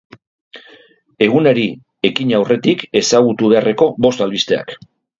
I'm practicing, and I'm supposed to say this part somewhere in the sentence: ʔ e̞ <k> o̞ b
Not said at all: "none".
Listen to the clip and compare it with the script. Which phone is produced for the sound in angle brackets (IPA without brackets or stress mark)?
k